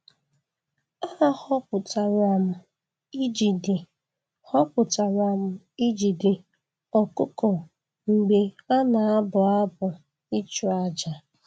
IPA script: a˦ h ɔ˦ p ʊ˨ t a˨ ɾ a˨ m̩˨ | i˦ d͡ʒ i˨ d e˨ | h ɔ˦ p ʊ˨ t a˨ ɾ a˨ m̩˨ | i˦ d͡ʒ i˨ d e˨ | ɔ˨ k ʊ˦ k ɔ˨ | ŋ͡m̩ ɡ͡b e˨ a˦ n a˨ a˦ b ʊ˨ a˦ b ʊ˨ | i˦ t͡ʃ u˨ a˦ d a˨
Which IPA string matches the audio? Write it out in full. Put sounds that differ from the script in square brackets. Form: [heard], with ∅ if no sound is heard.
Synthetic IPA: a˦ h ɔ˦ p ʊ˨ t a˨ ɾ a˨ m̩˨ | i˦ d͡ʒ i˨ d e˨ | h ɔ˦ p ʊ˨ t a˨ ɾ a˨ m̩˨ | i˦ d͡ʒ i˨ d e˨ | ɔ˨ k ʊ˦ k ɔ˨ | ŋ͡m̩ ɡ͡b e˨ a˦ n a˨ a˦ b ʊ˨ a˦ b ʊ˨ | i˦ t͡ʃ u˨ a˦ [d͡ʒ] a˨

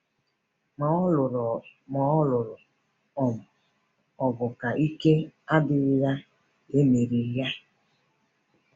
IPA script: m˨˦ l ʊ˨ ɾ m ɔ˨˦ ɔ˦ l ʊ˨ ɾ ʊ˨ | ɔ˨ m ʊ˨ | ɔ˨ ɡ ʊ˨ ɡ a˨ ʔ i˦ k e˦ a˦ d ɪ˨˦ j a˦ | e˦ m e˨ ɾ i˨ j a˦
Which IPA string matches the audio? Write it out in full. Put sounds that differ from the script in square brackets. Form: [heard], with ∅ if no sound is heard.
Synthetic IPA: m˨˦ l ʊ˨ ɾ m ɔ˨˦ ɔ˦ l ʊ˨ ɾ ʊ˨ | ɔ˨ m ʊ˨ | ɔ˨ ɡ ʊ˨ [k] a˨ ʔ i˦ k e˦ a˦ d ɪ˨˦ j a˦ | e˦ m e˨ ɾ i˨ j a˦

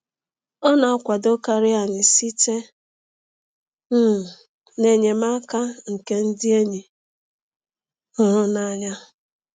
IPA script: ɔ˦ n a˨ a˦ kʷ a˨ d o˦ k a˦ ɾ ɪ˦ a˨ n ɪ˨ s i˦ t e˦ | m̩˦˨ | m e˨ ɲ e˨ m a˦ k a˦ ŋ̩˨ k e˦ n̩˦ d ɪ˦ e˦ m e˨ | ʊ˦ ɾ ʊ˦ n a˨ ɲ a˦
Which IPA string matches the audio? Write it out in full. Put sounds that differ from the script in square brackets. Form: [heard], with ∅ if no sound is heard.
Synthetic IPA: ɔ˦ n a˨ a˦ kʷ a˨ d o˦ k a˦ ɾ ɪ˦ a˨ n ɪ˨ s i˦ t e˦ | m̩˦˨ | [n] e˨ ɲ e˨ m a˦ k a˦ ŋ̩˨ k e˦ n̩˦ d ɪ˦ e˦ [ɲ] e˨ | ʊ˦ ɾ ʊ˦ n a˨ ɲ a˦

